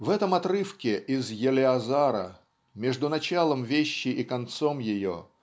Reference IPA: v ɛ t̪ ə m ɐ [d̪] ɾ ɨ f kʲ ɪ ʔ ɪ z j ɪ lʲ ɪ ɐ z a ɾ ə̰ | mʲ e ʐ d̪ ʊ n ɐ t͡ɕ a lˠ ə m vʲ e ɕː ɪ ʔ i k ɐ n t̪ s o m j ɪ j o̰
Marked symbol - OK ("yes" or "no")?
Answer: no